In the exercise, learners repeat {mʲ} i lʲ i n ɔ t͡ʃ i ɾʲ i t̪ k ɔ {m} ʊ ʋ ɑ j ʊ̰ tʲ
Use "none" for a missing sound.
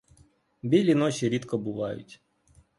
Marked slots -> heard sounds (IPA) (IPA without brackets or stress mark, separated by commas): bʲ, b